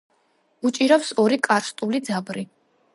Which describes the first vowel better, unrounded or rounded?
rounded